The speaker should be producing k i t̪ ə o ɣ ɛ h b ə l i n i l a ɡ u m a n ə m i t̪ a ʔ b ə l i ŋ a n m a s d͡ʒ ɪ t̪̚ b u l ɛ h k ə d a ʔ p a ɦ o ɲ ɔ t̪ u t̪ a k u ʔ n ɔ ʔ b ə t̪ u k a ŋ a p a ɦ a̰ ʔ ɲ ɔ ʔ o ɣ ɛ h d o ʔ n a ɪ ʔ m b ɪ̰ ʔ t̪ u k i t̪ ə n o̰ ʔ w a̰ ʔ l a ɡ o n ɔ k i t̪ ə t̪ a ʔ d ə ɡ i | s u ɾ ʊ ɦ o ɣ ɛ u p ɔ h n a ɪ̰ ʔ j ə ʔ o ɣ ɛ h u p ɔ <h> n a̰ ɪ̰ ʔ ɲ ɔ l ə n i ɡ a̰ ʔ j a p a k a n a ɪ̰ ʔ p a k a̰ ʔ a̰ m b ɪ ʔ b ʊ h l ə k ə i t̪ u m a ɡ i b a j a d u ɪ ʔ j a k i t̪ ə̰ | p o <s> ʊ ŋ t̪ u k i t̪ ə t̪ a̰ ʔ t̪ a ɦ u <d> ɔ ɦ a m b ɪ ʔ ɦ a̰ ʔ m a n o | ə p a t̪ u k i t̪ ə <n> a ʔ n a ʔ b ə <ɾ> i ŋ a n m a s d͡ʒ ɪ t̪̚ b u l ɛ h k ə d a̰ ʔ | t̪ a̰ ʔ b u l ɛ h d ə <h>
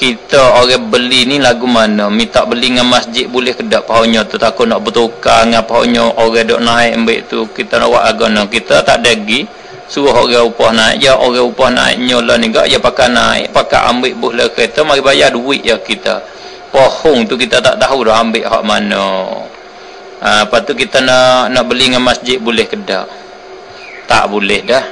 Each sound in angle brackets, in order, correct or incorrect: correct, incorrect, correct, correct, incorrect, correct

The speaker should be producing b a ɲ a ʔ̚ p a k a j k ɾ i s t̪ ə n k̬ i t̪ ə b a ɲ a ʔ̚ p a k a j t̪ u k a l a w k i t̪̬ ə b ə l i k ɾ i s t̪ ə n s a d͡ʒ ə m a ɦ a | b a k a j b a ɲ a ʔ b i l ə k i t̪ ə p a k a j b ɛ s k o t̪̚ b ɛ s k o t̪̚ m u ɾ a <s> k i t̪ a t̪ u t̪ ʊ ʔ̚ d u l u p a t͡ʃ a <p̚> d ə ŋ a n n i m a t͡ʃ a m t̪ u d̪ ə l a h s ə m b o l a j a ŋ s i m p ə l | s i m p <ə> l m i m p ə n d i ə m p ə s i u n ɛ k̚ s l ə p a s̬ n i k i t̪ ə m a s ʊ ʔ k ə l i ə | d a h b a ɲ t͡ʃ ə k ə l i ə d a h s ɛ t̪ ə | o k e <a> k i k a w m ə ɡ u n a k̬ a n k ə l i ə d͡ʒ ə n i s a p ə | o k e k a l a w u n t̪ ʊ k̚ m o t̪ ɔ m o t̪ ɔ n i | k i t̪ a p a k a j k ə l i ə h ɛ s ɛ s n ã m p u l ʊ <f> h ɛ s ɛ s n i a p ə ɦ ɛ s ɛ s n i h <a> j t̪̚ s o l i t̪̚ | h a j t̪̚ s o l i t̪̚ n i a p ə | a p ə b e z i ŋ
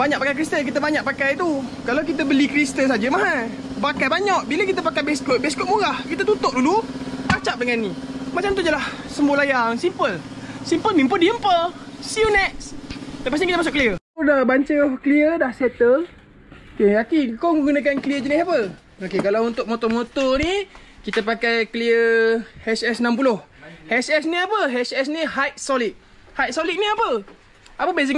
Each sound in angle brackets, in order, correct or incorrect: incorrect, correct, correct, correct, incorrect, correct

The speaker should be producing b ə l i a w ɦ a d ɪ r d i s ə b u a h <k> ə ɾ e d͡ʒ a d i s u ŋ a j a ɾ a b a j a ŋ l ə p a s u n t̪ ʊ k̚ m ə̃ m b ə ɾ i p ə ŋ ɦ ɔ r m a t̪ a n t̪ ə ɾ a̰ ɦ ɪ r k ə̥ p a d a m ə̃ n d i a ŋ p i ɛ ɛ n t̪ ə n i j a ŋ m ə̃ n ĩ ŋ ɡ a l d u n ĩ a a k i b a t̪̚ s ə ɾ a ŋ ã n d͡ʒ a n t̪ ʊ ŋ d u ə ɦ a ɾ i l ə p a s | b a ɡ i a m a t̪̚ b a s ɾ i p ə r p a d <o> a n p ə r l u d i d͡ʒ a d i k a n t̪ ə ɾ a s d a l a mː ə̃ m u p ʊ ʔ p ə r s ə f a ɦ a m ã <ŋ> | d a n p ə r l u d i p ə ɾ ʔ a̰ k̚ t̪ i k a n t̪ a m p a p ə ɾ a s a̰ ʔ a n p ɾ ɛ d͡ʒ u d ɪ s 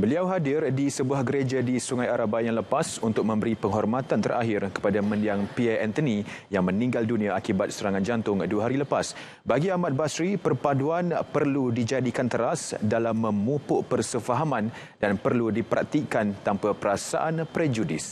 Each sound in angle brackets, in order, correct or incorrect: incorrect, incorrect, incorrect

